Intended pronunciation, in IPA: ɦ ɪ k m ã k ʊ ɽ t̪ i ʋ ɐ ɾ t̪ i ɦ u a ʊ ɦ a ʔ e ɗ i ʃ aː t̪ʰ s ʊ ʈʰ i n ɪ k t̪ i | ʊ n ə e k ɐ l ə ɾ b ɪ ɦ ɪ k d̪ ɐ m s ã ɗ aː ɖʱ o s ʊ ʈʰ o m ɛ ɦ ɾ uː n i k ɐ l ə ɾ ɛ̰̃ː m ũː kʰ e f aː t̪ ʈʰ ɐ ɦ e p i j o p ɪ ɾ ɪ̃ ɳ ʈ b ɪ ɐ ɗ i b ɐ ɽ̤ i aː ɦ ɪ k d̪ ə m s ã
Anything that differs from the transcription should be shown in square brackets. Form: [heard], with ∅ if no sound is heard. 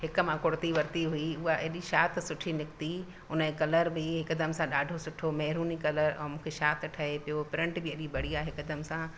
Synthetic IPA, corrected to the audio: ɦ ɪ k m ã k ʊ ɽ t̪ i ʋ ɐ ɾ t̪ i ɦ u [i] ʊ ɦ a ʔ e ɗ i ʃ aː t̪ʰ s ʊ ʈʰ i n ɪ k t̪ i | ʊ n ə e k ɐ l ə ɾ b ɪ ɦ ɪ k d̪ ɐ m s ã ɗ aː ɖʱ o s ʊ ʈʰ o m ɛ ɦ ɾ uː n i k ɐ l ə ɾ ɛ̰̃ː m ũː kʰ e [ʃ] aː t̪ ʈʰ ɐ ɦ e p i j o p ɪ ɾ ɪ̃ ɳ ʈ b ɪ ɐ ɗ i b ɐ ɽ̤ i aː ɦ ɪ k d̪ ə m s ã